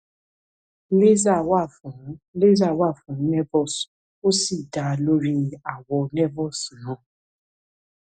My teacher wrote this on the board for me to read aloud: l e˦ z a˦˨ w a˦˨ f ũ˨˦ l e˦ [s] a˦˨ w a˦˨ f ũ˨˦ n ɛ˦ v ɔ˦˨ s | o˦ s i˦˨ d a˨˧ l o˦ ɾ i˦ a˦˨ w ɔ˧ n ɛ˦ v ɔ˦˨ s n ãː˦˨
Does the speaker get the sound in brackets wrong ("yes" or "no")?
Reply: yes